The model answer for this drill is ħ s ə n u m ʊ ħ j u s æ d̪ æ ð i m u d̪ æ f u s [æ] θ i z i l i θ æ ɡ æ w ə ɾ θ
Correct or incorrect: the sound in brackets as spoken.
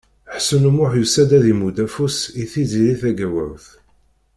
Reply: incorrect: i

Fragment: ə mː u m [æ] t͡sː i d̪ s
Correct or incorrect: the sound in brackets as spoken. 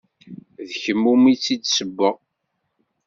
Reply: incorrect: i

